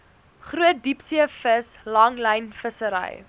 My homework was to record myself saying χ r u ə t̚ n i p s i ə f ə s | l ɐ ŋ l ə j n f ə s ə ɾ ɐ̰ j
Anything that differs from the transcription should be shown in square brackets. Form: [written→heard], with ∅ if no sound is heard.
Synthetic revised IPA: χ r u ə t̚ [n→d] i p s i ə f ə s | l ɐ ŋ l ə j n f ə s ə ɾ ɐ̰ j